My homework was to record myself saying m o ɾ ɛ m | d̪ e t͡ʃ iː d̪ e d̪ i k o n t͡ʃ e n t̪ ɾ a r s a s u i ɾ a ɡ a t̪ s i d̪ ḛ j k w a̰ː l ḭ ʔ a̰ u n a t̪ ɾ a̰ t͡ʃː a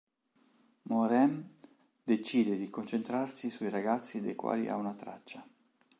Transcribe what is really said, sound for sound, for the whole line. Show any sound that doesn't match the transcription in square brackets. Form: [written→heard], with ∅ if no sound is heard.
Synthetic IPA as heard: m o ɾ ɛ m | d̪ e t͡ʃ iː d̪ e d̪ i k o n t͡ʃ e n t̪ ɾ a r s [a→i] s u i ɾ a ɡ a t̪ [s→sː] i d̪ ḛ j k w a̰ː l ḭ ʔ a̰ u n a t̪ ɾ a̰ t͡ʃː a